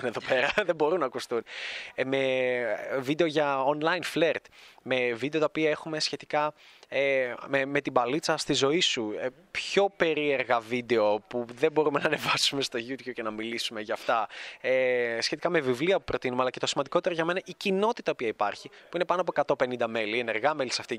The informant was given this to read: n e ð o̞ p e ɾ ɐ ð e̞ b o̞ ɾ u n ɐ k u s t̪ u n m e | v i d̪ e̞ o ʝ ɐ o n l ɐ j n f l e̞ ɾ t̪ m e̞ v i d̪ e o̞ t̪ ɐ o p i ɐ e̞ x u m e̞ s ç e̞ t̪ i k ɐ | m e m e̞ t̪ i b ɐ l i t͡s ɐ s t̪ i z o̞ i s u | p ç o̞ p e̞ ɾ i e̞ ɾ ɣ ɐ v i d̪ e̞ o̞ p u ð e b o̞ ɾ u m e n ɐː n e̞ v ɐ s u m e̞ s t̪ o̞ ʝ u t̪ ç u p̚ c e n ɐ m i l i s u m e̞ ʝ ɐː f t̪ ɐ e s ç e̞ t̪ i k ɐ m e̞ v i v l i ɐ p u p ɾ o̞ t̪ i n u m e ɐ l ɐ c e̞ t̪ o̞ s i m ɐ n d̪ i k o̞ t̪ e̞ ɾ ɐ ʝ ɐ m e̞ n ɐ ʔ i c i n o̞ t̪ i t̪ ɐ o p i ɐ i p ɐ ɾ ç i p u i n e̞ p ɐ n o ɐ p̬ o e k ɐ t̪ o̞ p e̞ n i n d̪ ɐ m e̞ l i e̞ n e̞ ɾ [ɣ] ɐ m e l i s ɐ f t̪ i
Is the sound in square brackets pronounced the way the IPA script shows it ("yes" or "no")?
yes